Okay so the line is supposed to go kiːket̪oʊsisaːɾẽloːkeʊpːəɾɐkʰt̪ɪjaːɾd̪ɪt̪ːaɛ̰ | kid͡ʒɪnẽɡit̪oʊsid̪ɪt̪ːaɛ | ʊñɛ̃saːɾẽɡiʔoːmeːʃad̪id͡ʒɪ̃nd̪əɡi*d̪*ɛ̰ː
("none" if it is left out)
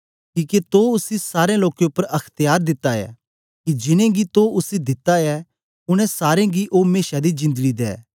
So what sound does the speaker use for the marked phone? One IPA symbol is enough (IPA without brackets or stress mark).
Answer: d̪